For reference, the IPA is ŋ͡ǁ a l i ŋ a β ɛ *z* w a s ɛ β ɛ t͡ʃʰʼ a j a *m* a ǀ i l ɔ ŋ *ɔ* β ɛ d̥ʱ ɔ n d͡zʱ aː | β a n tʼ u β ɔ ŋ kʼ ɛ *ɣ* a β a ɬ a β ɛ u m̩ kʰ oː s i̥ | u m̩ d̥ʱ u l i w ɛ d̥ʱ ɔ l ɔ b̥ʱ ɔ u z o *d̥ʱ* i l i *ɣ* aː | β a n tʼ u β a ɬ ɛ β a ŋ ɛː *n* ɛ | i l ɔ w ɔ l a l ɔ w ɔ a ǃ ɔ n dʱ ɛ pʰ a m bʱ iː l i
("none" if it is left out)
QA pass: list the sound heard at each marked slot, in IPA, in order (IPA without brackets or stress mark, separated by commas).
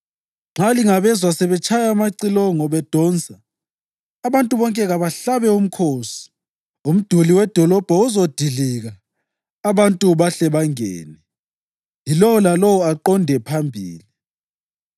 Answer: z, m, ɔ, ɣ, d̥ʱ, ɣ, n